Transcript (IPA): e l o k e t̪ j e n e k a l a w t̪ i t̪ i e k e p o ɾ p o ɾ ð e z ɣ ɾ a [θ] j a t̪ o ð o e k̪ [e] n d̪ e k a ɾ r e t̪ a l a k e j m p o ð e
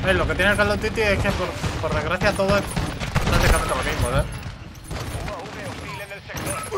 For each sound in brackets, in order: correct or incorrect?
correct, incorrect

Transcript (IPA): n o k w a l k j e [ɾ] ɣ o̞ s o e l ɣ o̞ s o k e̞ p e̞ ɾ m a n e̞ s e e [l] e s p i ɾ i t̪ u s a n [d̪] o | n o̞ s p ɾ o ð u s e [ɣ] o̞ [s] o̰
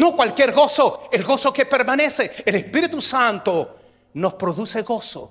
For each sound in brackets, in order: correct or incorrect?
correct, correct, incorrect, correct, correct

